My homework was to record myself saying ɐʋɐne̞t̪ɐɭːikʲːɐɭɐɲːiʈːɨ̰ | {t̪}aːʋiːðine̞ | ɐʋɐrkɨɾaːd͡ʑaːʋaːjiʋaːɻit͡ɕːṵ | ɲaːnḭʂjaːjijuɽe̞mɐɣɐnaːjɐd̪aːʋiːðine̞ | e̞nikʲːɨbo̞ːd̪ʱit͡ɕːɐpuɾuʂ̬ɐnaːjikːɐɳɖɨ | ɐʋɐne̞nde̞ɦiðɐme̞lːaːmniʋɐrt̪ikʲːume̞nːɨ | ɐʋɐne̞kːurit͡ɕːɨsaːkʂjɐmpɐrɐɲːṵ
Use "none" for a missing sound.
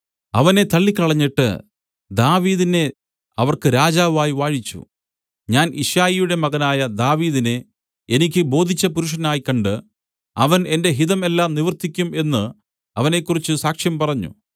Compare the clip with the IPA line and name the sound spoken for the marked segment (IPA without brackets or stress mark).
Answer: d̪